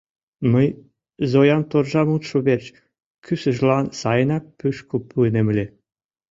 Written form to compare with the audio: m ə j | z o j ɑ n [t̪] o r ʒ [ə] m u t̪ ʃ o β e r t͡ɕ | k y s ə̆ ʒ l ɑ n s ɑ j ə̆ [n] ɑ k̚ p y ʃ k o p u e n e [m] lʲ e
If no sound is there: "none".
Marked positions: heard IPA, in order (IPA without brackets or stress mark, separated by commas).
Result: t̪, ɑ, n, m